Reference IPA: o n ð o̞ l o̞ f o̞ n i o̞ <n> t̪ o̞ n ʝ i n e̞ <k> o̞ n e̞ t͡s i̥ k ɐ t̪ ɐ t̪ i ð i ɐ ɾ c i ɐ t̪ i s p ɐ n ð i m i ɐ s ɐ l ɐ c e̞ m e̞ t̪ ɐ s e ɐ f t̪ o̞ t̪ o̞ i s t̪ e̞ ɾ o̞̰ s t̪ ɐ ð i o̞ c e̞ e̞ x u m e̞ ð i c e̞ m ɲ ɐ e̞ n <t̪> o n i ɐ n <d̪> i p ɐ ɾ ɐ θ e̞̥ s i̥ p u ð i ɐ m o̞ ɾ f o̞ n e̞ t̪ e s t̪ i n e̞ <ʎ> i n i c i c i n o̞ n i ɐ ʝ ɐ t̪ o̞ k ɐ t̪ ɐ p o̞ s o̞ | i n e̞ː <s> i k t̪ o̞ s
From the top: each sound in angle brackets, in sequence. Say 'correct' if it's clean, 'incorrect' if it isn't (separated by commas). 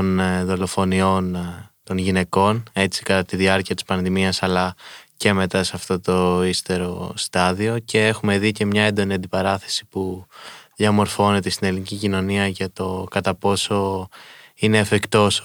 correct, correct, incorrect, correct, incorrect, incorrect